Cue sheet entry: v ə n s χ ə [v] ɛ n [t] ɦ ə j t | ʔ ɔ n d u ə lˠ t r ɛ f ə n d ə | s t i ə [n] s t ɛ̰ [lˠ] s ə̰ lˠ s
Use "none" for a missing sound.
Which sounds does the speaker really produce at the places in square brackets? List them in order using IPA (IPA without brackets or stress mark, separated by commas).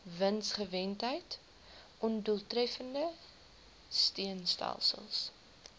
v, t, n, lˠ